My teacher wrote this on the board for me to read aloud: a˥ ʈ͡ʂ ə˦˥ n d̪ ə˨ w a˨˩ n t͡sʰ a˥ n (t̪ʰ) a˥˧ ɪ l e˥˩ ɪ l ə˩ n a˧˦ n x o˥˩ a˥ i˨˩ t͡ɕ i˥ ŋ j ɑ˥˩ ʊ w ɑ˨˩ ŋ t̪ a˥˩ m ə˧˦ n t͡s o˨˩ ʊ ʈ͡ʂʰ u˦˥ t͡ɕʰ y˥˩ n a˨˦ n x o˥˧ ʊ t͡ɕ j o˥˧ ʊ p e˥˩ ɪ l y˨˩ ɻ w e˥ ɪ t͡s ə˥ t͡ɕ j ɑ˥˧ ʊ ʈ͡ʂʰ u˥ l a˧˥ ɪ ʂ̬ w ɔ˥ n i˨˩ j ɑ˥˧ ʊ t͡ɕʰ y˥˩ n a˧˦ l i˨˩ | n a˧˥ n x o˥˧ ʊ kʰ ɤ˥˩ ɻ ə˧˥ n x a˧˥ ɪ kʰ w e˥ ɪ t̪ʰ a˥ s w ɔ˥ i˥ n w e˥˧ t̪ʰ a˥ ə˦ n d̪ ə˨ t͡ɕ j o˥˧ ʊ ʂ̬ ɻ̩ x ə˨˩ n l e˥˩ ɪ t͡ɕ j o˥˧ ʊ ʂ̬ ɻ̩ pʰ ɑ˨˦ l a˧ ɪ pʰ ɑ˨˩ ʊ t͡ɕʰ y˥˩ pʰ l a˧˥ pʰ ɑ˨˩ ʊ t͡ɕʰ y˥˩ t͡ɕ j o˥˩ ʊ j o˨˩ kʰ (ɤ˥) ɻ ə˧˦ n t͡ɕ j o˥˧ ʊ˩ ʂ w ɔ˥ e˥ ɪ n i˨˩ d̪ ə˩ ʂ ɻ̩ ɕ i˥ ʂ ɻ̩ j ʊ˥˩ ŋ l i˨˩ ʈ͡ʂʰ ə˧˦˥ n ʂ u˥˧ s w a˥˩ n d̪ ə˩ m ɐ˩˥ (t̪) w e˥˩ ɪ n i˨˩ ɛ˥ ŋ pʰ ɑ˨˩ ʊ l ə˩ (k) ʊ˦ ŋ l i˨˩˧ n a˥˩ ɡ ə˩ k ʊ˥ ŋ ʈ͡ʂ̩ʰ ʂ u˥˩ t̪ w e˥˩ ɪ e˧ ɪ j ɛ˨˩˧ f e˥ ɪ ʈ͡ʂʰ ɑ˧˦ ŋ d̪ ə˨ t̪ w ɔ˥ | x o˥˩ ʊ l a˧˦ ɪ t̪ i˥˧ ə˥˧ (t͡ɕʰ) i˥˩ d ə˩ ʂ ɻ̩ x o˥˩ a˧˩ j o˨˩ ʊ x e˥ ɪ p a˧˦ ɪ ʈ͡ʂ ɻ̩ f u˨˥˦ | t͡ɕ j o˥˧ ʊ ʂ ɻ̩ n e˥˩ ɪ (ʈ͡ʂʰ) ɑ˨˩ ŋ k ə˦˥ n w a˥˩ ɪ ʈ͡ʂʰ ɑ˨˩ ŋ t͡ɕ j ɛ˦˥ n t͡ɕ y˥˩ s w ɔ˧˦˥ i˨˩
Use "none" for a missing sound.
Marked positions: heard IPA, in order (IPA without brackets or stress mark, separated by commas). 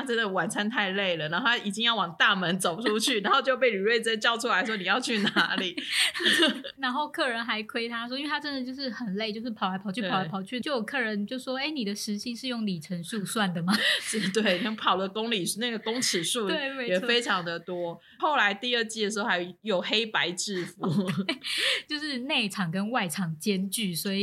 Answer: t̪ʰ, ɤ˥˩, t̪, k, t͡ɕ, ʈ͡ʂʰ